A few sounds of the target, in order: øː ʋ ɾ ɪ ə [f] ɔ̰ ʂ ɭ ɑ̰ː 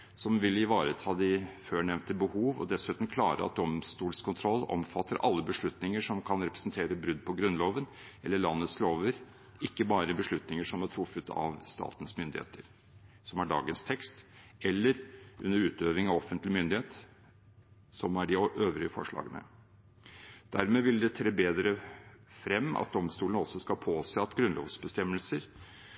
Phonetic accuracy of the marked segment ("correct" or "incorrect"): correct